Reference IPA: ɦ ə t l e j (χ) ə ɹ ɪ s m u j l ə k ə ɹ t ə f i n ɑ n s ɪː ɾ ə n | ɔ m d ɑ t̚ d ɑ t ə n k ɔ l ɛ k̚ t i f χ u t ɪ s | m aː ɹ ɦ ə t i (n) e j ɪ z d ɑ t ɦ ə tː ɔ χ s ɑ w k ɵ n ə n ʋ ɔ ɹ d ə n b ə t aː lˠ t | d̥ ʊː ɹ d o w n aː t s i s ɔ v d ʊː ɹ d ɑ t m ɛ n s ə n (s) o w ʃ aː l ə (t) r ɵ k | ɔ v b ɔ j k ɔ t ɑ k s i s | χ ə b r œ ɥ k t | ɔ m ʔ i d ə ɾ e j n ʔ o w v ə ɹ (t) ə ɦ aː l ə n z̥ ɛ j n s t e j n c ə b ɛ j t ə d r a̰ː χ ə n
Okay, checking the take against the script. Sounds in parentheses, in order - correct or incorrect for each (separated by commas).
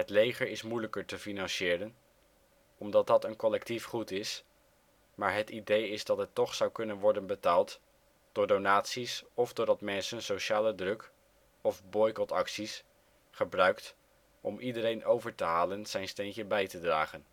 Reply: correct, incorrect, correct, incorrect, correct